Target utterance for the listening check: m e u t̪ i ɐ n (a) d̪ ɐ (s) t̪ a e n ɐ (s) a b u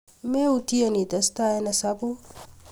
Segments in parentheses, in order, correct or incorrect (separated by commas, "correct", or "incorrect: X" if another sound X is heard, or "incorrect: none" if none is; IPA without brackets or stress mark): incorrect: i, correct, correct